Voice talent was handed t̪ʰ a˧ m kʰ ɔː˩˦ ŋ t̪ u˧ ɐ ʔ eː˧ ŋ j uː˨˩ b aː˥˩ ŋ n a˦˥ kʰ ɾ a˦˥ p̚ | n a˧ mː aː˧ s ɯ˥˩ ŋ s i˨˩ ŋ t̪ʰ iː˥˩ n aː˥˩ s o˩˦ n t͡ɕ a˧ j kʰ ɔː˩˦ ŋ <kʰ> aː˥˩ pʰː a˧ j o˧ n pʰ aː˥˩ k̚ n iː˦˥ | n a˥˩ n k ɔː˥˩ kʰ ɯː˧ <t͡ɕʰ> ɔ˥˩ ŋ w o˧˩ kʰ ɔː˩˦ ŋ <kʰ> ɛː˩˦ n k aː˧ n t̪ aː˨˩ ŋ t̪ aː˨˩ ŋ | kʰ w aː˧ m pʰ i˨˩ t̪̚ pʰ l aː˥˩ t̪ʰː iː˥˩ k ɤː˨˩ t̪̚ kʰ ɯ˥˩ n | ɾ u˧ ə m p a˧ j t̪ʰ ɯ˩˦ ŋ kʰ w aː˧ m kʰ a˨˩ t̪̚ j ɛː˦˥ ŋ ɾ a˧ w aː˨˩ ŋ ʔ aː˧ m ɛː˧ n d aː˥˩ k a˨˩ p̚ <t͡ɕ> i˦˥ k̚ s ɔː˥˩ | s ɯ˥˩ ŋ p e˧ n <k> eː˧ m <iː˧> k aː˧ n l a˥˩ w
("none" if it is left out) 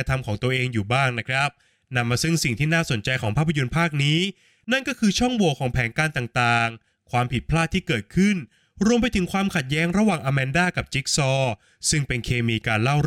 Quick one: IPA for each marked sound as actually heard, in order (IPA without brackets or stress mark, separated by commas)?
pʰ, t͡ɕʰ, pʰ, t͡ɕ, kʰ, iː˧